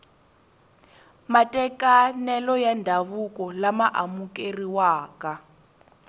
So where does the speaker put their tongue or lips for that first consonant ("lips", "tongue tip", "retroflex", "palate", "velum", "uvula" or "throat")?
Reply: lips